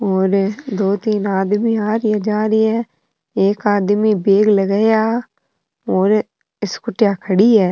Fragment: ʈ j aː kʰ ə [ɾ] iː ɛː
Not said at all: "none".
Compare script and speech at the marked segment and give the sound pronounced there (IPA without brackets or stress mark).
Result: ɽ